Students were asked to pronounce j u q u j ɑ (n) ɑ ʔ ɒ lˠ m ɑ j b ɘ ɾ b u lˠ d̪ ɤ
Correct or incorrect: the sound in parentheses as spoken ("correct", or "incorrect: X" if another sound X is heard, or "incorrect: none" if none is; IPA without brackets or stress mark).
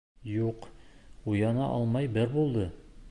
correct